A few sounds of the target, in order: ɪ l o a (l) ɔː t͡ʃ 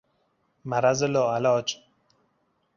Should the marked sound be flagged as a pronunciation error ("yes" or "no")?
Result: no